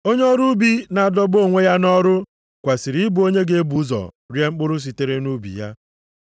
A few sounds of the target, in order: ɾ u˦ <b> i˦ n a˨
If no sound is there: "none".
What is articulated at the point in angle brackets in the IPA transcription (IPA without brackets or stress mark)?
b